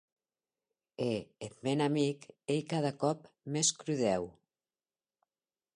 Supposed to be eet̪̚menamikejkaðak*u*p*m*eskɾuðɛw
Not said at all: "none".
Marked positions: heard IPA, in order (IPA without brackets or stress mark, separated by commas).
ɔ, m